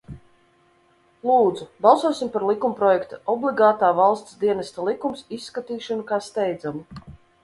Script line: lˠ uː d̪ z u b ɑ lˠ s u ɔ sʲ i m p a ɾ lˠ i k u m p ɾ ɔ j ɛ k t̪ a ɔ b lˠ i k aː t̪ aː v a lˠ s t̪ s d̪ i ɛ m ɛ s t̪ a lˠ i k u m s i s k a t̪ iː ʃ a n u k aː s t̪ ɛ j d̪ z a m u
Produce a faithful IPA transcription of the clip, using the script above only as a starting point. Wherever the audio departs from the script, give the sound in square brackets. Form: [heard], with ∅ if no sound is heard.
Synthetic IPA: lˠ uː d̪ z u b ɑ lˠ s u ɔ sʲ i m p a ɾ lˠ i k u m p ɾ ɔ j ɛ k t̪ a ɔ b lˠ i [ɡ] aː t̪ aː v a lˠ s t̪ s d̪ i ɛ [n] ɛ s t̪ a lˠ i k u m s i [sː] k a t̪ iː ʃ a n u k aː s t̪ ɛ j d̪ z a m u